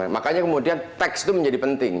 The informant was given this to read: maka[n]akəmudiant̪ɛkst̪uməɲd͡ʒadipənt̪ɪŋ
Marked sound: incorrect: ɲ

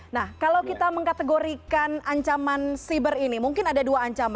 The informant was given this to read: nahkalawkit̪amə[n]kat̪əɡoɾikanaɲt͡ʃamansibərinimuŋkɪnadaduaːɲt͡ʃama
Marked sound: incorrect: ŋ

